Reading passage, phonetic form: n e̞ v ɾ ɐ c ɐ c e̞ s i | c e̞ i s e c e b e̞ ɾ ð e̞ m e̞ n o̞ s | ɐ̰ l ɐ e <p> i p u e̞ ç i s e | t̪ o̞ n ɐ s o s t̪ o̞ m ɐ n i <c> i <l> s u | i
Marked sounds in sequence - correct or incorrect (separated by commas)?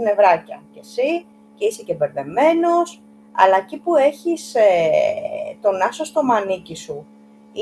incorrect, correct, incorrect